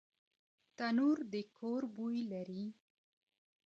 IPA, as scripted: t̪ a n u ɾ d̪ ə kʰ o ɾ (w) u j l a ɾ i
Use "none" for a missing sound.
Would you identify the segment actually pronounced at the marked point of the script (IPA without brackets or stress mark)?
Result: b